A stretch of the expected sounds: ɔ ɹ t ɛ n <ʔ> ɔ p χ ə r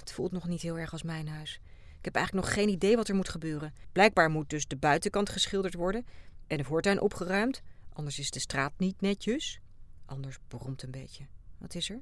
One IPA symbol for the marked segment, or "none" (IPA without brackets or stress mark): ʔ